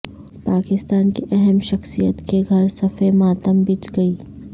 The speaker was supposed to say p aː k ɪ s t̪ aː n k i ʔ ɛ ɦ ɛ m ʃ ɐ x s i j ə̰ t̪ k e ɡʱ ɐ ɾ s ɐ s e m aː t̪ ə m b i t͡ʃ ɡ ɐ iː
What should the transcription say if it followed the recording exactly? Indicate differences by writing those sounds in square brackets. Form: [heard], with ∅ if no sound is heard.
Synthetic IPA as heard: p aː k ɪ s t̪ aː n k i ʔ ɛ ɦ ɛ m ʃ ɐ x s i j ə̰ t̪ k e ɡʱ ɐ ɾ s ɐ [f] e m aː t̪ ə m b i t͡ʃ ɡ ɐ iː